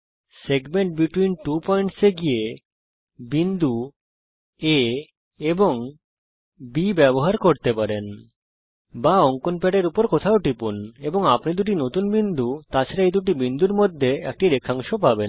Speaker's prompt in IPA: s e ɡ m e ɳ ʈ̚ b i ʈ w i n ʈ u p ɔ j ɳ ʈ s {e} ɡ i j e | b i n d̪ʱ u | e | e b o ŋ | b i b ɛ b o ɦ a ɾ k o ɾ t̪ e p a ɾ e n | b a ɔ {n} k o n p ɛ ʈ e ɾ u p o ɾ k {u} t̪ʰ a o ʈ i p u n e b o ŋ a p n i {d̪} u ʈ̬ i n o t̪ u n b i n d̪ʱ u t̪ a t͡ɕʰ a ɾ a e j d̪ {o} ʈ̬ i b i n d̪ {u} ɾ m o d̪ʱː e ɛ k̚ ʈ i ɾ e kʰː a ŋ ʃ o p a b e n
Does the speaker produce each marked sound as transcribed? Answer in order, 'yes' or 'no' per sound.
yes, no, no, yes, no, yes

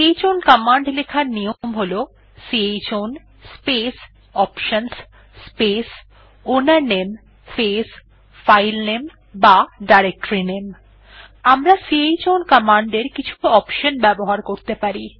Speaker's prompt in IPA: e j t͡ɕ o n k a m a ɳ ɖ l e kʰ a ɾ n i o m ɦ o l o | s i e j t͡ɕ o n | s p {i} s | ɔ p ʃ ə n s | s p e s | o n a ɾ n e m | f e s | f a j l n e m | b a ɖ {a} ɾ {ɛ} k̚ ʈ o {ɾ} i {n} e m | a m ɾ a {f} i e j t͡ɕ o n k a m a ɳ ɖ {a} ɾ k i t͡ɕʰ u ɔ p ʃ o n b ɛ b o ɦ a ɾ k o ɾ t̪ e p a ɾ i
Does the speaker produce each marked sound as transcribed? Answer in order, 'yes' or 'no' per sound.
no, yes, no, yes, yes, no, no

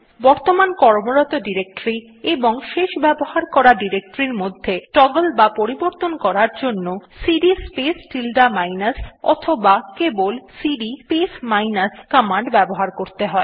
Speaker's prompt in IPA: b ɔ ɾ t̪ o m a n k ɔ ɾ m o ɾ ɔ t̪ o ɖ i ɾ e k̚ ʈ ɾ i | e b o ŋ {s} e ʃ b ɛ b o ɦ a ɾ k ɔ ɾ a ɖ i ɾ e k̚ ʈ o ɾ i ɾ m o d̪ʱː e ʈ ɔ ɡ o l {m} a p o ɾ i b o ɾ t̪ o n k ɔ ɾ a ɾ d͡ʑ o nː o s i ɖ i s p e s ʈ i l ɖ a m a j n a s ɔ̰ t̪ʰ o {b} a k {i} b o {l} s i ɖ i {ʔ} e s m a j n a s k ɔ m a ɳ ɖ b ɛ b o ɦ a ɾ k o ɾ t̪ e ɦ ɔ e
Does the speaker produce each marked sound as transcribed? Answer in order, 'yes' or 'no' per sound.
no, no, yes, no, yes, no

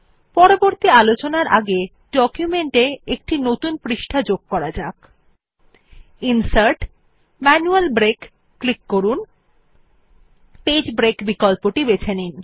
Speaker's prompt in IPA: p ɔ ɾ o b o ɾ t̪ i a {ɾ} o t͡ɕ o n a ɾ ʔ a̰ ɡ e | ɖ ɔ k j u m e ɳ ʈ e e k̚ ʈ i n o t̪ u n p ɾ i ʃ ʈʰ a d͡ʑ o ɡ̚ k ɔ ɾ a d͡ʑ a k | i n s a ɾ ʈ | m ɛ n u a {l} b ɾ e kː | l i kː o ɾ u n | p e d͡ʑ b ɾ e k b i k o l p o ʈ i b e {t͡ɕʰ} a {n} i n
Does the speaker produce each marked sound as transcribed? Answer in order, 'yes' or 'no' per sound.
no, yes, yes, yes

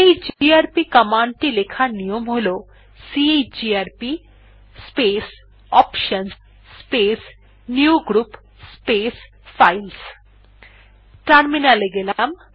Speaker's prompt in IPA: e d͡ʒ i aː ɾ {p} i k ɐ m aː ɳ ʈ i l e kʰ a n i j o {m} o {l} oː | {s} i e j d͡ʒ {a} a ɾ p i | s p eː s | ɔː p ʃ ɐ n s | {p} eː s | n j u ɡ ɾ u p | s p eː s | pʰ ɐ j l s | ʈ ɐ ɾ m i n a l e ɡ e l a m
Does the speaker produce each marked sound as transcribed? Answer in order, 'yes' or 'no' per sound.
yes, yes, yes, yes, no, yes

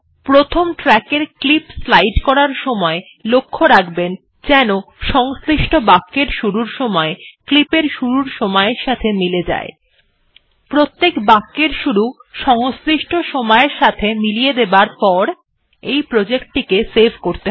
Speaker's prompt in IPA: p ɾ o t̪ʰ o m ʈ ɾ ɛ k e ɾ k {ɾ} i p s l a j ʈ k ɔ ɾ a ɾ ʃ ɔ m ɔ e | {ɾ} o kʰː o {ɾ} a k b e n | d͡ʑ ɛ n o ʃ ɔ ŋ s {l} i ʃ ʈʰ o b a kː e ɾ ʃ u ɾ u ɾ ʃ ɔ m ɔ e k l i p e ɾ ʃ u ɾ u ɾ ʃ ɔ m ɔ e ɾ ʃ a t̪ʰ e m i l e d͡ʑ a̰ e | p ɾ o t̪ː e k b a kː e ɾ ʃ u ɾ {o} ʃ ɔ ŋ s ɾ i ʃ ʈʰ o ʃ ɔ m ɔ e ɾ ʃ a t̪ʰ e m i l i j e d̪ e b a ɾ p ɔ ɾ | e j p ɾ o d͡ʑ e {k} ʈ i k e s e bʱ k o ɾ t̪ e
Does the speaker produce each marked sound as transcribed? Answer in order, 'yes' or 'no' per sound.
no, no, yes, no, no, yes

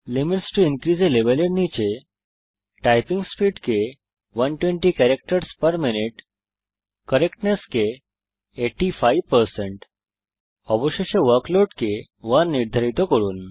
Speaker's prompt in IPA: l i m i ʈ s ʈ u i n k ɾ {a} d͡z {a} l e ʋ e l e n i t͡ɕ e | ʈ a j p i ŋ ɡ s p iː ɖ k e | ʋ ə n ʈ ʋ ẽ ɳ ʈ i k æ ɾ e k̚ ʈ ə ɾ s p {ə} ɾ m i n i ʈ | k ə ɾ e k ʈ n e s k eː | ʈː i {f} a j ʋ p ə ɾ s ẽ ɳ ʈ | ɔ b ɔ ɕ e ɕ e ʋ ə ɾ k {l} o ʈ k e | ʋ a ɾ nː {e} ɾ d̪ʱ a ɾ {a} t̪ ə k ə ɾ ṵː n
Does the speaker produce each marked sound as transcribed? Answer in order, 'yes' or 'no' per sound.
no, no, yes, yes, yes, no, no

